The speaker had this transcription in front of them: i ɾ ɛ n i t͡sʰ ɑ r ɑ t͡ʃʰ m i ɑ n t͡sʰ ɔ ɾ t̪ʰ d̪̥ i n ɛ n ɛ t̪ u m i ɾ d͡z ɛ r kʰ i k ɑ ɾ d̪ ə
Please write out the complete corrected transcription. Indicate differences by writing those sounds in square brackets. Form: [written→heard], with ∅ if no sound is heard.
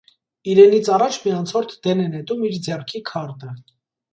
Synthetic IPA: i ɾ ɛ n i t͡sʰ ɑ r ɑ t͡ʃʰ m i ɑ n t͡sʰ ɔ ɾ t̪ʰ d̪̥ [i→ɛ] n ɛ n ɛ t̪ u m i ɾ d͡z ɛ r kʰ i [k→kʰ] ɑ ɾ [d̪→t̪] ə